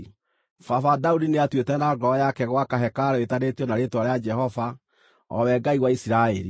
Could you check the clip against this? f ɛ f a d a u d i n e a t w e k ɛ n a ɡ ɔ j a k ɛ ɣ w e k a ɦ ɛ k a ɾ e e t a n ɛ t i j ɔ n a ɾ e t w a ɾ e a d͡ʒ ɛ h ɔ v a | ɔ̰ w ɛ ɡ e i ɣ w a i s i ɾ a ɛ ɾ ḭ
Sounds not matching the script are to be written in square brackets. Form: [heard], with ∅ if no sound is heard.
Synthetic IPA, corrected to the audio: f [a] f a d a u d i n e a t w e [t] ɛ n a ɡ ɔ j a k ɛ ɣ w [a] k a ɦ ɛ k a ɾ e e t a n [e] t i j ɔ n a ɾ e t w a ɾ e a d͡ʒ ɛ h ɔ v a | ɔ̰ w ɛ ɡ [a] i ɣ w a i s i ɾ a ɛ ɾ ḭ